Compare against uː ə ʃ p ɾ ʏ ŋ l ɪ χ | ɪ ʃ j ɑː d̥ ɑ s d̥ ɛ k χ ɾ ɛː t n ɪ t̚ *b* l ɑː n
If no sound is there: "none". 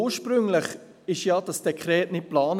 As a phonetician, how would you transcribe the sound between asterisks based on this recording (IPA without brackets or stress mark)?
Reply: p